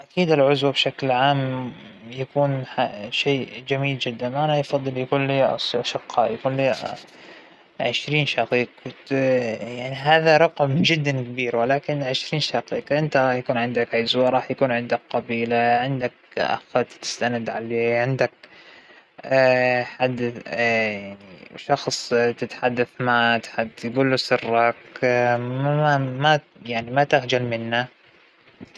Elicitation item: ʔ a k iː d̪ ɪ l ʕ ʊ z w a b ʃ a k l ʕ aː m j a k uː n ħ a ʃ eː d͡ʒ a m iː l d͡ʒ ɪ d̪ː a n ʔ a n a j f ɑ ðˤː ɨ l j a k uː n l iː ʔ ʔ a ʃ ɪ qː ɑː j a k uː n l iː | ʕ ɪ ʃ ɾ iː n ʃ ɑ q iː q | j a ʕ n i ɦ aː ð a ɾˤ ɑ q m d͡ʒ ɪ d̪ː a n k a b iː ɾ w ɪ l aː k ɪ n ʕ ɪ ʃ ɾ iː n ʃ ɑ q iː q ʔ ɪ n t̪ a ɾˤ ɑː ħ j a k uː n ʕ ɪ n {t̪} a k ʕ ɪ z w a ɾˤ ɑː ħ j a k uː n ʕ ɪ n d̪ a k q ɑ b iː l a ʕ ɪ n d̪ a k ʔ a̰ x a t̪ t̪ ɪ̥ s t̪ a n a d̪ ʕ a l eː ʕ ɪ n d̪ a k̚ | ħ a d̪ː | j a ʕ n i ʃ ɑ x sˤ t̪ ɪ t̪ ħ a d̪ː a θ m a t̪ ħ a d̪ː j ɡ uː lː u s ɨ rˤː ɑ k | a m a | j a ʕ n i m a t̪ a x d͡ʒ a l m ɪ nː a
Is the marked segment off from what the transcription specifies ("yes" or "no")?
yes